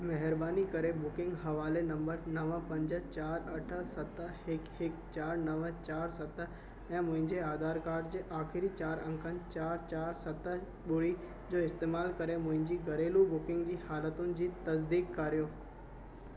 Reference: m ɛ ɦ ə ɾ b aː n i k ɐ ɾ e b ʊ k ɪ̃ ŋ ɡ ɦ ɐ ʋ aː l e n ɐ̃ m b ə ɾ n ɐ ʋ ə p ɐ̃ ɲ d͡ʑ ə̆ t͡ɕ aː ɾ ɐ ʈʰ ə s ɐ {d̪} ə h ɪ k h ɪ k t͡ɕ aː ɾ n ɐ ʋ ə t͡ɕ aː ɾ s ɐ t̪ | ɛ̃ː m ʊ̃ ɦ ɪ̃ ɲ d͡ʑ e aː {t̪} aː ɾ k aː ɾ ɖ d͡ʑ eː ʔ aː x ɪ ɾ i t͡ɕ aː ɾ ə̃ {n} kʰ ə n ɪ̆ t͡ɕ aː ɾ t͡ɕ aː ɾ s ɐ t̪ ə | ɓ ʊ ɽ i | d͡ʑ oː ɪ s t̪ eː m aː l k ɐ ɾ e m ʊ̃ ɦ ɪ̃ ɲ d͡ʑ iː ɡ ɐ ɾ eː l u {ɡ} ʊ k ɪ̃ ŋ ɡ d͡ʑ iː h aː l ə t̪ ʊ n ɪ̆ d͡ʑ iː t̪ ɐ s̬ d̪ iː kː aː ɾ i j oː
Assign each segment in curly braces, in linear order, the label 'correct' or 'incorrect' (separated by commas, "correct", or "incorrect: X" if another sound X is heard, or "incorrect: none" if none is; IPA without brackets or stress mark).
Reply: incorrect: t̪, incorrect: d̪, incorrect: ŋ, incorrect: b